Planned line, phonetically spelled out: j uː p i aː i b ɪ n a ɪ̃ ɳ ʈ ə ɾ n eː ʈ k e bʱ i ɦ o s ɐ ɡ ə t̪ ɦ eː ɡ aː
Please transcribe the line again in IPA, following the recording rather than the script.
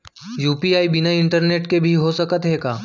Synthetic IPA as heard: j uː p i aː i b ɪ n a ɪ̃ ɳ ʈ ə ɾ n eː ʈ k e bʱ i ɦ o s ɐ k ə t̪ ɦ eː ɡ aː